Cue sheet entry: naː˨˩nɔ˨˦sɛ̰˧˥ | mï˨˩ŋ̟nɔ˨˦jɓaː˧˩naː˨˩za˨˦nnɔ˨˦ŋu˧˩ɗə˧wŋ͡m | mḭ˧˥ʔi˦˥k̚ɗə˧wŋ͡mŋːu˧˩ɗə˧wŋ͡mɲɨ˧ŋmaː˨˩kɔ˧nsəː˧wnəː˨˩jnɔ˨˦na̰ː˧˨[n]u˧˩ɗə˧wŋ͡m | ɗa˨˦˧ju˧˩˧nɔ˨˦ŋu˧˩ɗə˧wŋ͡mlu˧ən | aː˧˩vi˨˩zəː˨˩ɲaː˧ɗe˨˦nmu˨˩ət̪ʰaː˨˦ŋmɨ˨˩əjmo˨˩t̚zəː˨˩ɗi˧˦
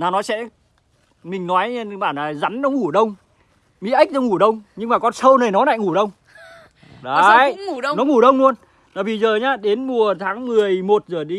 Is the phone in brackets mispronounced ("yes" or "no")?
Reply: yes